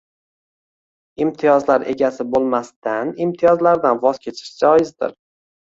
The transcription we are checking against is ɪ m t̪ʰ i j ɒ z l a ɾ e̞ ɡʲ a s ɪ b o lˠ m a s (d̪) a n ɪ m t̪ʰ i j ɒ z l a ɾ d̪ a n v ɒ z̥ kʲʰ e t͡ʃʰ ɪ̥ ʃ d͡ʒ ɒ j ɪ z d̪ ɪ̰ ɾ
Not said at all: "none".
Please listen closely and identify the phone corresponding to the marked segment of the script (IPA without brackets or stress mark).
t̪